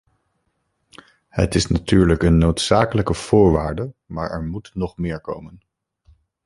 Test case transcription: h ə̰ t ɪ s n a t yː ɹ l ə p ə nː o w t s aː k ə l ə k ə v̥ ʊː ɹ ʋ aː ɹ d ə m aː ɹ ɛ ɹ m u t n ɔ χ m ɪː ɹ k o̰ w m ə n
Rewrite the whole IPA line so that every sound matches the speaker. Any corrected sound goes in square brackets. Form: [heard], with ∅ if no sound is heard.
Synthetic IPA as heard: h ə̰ t ɪ s n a t yː ɹ l ə [k] ə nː o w t s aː k ə l ə k ə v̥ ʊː ɹ ʋ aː ɹ d ə m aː ɹ ɛ ɹ m u t n ɔ χ m ɪː ɹ k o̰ w m ə n